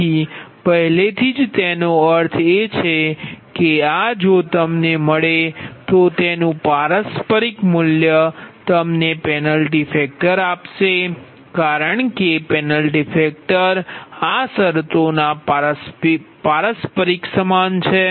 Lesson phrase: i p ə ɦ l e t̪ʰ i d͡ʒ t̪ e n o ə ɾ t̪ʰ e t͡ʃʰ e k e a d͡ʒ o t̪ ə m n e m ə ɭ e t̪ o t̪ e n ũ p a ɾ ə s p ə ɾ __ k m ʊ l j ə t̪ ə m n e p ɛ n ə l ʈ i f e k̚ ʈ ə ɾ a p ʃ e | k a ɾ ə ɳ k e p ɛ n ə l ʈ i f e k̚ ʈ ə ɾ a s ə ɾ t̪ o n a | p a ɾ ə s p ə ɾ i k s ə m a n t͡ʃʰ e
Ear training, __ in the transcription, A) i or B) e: A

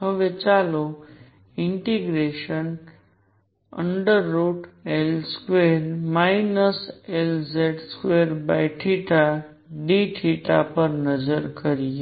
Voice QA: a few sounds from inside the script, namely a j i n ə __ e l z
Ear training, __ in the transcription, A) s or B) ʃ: A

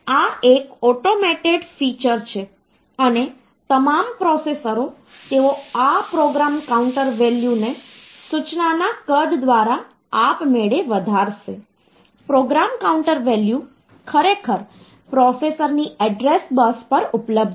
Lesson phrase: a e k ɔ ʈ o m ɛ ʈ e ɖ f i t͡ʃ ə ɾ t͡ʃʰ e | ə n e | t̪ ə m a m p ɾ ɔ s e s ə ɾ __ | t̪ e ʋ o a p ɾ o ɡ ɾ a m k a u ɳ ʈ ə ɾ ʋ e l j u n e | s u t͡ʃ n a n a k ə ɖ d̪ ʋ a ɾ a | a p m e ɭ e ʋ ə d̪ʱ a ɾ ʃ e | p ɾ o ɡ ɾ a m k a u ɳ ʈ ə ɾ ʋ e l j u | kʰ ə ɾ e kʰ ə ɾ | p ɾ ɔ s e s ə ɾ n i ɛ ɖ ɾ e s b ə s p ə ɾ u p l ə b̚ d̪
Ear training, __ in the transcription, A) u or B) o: B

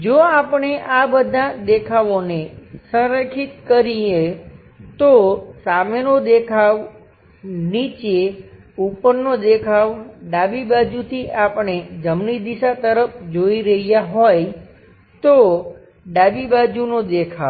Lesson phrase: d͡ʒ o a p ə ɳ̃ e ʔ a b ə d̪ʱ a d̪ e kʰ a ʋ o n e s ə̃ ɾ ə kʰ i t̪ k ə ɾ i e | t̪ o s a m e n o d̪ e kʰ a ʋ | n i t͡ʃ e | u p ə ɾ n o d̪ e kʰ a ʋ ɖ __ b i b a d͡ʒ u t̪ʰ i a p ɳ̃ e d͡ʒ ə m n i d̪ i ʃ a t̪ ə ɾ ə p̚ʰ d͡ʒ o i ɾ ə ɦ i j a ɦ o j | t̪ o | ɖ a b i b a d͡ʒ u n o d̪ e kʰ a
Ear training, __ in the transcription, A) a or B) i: A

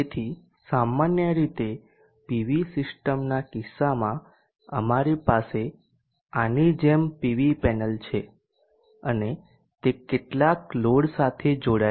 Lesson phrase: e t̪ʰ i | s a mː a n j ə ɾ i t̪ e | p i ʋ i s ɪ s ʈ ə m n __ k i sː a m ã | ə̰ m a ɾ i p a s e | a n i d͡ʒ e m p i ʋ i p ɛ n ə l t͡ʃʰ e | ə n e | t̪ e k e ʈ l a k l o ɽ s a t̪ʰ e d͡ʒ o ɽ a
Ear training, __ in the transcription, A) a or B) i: A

